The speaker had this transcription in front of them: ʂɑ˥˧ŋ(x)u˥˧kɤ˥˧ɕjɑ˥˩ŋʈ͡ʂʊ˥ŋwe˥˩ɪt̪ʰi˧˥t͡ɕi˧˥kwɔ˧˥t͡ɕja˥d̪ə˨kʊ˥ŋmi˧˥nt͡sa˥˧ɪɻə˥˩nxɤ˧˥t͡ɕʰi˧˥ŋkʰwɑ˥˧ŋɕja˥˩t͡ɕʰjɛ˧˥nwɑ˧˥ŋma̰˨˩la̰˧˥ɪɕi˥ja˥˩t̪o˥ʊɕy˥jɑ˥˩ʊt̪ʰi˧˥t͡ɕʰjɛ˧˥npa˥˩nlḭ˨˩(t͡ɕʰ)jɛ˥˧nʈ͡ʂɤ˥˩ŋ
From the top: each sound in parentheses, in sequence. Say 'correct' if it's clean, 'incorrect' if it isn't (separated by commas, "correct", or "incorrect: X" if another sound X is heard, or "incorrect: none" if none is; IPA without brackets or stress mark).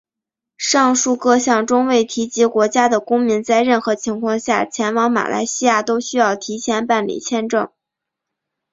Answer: incorrect: ʂ, correct